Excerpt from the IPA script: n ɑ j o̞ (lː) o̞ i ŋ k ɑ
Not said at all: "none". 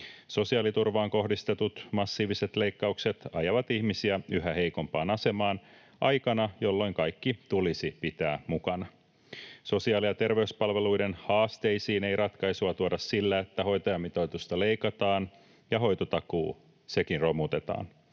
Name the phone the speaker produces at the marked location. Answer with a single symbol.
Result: lː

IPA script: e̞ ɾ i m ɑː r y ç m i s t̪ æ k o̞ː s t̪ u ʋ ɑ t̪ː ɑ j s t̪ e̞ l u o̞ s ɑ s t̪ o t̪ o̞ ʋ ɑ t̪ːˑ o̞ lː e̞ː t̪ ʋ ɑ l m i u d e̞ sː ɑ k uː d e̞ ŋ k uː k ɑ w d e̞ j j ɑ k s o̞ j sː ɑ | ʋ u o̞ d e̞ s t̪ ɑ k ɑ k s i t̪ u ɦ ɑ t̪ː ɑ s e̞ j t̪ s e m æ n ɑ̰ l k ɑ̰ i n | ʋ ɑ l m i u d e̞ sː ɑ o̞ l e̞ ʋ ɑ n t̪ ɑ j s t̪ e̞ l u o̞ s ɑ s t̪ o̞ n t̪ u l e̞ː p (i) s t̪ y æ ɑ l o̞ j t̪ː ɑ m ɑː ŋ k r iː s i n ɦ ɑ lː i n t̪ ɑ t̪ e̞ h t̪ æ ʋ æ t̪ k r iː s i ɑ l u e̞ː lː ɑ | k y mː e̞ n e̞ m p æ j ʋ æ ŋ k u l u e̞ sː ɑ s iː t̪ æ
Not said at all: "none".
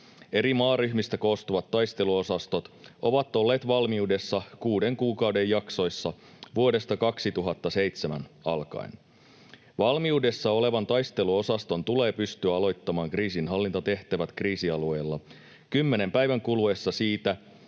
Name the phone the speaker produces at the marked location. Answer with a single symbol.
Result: y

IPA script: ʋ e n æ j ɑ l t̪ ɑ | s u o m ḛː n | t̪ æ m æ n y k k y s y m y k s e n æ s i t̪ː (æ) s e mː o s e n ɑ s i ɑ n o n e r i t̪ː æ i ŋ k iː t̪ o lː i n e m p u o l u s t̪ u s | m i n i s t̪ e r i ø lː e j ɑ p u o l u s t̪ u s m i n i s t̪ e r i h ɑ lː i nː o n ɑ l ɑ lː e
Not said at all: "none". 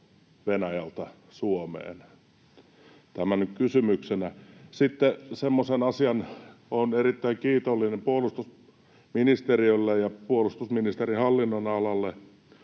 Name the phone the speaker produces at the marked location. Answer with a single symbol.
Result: e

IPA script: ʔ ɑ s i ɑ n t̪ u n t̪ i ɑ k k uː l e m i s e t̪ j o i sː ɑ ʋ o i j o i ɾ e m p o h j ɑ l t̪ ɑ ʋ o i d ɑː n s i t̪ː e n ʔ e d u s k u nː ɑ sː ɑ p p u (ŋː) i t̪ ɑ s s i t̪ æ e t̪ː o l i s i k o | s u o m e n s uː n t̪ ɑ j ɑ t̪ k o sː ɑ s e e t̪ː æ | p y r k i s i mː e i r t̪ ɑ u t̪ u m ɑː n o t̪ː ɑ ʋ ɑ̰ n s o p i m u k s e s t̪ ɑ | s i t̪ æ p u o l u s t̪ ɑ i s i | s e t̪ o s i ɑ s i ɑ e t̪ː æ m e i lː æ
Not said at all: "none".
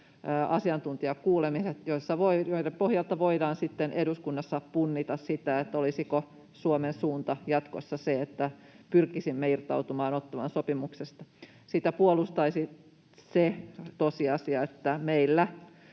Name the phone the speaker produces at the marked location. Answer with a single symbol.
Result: nː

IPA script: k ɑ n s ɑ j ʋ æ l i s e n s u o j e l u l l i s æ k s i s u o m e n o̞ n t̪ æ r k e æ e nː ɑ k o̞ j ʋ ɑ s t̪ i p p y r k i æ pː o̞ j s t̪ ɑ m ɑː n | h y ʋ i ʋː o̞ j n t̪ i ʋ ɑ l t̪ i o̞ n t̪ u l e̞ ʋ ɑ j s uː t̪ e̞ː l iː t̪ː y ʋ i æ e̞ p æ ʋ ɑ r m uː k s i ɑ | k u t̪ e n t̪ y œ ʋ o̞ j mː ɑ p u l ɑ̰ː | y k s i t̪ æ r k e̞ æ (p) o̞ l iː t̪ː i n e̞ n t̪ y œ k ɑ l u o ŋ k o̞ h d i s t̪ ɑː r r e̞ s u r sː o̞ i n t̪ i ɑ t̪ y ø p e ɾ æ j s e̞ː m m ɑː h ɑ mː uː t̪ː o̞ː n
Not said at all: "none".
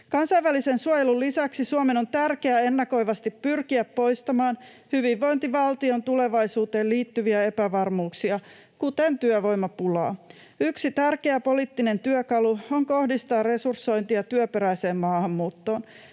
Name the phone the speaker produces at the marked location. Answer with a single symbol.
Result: p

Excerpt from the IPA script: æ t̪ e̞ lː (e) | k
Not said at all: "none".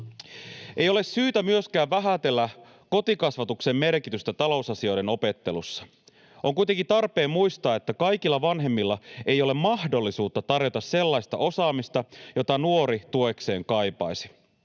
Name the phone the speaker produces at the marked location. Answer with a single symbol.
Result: æ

